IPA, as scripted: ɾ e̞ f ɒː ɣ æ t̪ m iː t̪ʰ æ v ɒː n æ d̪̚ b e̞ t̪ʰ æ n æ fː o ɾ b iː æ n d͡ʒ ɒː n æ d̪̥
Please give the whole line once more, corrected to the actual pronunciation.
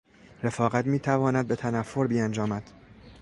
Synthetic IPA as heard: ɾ e̞ f ɒː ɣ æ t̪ m iː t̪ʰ æ v ɒː n æ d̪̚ b e̞ t̪ʰ æ n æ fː o ɾ b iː æ n d͡ʒ ɒː m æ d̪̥